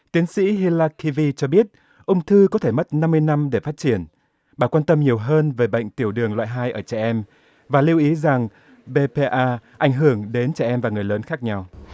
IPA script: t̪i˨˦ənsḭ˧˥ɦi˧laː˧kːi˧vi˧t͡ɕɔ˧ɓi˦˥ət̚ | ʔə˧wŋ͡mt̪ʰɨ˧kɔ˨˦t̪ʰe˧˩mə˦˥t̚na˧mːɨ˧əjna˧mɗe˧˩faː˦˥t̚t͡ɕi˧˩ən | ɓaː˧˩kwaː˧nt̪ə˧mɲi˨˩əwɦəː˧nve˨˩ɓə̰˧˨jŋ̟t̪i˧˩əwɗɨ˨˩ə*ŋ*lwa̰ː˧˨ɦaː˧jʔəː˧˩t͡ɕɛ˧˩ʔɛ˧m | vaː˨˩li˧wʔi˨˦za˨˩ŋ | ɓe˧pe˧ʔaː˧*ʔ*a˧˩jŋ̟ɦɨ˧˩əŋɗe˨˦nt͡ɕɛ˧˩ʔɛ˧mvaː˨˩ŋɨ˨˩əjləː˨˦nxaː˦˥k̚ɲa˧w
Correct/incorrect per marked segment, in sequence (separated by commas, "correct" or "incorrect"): correct, correct